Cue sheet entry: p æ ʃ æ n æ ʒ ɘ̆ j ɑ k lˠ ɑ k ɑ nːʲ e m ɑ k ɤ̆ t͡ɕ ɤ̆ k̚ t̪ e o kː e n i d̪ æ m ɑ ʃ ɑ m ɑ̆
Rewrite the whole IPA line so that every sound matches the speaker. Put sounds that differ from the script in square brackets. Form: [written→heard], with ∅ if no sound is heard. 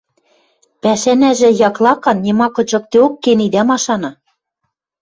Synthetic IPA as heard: p æ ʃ æ n æ ʒ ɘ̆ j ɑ k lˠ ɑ k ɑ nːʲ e m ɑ k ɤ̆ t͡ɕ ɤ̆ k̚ t̪ e o kː e n i d̪ æ m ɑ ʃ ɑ [m→n] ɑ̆

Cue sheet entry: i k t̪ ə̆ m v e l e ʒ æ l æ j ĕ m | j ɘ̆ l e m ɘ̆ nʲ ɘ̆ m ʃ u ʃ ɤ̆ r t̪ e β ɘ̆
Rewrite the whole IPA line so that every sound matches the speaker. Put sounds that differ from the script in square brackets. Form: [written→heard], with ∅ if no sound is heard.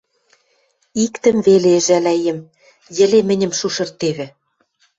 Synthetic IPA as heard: i k t̪ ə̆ m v e l e ʒ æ l æ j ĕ m | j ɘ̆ l e m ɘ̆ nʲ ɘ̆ m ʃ u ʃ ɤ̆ r t̪ e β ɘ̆

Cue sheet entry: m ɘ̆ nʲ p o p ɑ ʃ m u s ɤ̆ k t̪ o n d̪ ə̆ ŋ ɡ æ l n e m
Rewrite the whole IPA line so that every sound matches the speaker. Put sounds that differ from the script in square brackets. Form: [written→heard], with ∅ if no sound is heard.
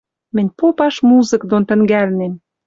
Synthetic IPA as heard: m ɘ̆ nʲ p o p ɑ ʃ m u [s→z] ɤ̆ k [t̪→d̪] o n [d̪→t̪] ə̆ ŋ ɡ æ l n e m

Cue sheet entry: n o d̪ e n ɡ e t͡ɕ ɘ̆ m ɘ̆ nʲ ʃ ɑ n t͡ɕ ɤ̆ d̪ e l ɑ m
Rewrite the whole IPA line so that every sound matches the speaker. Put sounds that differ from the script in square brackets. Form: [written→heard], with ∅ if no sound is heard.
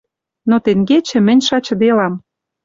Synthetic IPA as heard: n o [d̪→t̪] e [n→ŋ] ɡ e t͡ɕ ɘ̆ m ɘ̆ nʲ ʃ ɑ [n→∅] t͡ɕ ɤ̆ d̪ e l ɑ m

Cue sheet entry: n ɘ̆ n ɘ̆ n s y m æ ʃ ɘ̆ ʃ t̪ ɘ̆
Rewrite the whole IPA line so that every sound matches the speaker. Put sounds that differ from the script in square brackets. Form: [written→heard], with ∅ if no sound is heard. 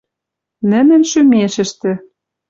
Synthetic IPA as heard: n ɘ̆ n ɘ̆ n [s→ʃ] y m [æ→e] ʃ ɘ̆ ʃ t̪ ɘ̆

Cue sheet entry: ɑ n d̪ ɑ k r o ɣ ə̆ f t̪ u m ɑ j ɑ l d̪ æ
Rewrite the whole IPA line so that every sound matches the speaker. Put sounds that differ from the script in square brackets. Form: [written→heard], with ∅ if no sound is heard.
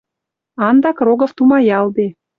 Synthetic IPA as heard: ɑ n d̪ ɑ k r o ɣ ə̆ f t̪ u m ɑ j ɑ l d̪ [æ→e]

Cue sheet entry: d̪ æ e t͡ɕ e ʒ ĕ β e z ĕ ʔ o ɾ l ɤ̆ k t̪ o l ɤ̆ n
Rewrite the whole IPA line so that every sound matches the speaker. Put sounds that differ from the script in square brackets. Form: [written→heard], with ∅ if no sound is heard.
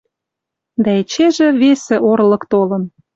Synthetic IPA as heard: d̪ æ e t͡ɕ e ʒ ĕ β e [z→s] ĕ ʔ o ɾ l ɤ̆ k t̪ o l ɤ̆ n

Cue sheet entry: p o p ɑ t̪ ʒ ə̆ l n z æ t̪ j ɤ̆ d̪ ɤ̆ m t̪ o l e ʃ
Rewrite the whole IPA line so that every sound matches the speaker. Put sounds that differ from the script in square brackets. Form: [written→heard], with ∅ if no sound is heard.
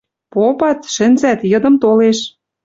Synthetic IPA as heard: p o p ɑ t̪ [ʒ→ʃ] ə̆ [l→∅] n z æ t̪ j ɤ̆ d̪ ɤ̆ m t̪ o l e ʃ

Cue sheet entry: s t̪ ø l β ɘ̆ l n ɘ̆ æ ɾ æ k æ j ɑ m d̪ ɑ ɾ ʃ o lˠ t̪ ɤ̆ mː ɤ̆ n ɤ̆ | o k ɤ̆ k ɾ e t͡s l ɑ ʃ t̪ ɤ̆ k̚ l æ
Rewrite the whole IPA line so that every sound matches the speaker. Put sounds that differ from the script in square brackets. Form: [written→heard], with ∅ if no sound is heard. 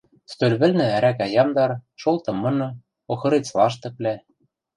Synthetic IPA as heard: s t̪ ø l β ɘ̆ l n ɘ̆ æ ɾ æ k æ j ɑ m d̪ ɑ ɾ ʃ o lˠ t̪ ɤ̆ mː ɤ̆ n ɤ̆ | o [k→x] ɤ̆ [k→∅] ɾ e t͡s l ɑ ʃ t̪ ɤ̆ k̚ l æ

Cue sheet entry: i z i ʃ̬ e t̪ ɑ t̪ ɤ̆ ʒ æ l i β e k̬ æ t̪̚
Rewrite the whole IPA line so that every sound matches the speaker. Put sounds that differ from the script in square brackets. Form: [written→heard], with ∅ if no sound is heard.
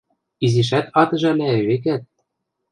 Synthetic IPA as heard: i z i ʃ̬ [e→æ] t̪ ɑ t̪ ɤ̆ ʒ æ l [i→æ] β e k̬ æ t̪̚

